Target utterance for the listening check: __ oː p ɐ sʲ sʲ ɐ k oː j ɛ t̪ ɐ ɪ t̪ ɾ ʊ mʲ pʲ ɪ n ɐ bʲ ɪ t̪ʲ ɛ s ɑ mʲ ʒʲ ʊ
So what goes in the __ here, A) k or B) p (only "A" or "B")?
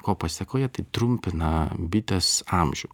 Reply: A